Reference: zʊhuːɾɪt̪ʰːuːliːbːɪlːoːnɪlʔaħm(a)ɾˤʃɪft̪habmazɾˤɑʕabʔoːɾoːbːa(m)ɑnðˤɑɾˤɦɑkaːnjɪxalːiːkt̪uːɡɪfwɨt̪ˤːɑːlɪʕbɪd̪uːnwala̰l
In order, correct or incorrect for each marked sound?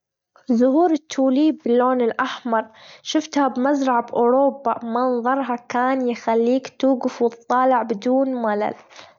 incorrect: ɑ, correct

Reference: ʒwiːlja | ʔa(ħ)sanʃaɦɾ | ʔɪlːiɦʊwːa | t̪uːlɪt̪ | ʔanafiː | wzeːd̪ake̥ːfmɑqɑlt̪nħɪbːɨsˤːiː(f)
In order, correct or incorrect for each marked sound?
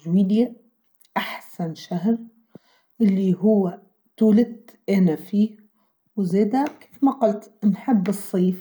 correct, correct

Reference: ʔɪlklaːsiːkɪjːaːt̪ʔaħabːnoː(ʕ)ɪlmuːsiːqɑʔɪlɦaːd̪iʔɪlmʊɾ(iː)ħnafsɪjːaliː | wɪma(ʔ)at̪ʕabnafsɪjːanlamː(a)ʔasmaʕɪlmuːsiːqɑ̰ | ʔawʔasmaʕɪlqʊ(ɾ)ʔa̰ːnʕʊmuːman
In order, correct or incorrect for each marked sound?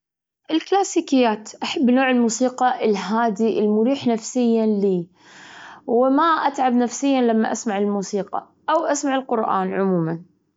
correct, correct, correct, correct, correct

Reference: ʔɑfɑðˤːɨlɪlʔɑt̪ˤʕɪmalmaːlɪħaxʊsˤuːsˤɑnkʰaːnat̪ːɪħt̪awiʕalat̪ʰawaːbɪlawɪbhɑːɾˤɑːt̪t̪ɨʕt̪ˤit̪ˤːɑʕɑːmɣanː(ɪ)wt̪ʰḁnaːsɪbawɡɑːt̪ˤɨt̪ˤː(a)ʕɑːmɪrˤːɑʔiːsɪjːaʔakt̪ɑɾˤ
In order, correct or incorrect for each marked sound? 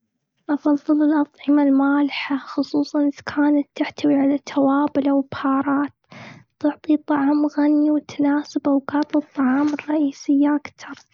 incorrect: i, incorrect: ɑ

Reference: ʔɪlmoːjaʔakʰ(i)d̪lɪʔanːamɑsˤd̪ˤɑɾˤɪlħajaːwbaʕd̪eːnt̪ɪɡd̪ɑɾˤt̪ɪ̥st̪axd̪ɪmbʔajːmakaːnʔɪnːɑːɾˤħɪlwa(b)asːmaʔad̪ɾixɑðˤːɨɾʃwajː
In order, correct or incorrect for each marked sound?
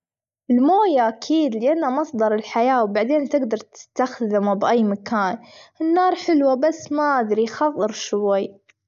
incorrect: iː, correct

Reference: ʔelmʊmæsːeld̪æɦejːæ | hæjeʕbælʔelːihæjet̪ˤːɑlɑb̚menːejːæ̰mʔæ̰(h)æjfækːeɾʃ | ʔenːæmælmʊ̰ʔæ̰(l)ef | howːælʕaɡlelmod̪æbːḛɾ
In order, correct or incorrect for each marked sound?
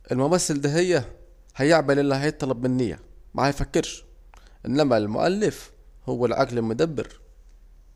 correct, incorrect: lː

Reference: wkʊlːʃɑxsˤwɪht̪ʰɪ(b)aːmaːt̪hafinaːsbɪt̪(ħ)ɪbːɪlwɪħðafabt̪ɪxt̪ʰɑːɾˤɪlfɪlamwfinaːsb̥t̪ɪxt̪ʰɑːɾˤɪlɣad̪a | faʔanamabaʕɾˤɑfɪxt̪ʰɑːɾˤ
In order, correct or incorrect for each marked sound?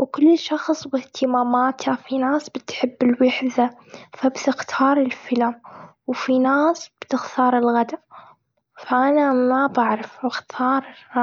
incorrect: m, correct

